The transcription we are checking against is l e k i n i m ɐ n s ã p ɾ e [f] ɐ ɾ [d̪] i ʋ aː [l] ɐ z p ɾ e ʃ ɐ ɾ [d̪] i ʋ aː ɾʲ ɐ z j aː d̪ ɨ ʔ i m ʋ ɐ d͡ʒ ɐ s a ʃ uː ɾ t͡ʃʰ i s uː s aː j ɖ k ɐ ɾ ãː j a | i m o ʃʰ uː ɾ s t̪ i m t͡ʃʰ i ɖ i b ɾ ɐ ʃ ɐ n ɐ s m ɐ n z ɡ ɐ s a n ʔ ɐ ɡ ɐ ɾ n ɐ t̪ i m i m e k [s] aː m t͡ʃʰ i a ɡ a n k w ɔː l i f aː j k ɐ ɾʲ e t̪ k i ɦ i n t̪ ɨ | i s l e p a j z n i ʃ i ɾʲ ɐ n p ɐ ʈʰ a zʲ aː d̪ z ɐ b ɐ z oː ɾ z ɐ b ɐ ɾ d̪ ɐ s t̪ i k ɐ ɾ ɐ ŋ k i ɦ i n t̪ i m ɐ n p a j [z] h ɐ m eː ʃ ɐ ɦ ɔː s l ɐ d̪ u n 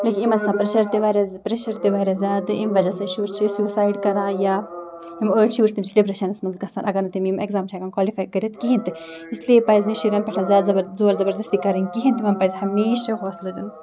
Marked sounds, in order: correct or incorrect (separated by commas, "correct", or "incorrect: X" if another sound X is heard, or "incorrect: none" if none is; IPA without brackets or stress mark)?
incorrect: ʃ, incorrect: t̪, incorrect: ɾ, incorrect: t̪, incorrect: z, correct